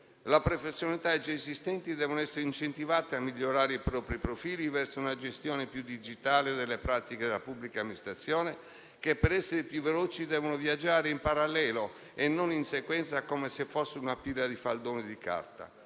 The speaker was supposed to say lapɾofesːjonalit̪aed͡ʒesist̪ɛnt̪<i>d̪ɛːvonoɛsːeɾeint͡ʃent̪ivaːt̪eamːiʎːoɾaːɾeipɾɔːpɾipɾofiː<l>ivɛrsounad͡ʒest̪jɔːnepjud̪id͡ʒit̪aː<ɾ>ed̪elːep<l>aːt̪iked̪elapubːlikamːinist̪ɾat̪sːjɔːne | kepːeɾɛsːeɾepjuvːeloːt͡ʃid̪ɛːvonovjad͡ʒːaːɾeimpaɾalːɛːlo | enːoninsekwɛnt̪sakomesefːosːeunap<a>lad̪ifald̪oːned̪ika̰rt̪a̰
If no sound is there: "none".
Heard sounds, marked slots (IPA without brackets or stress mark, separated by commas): i, l, l, ɾ, i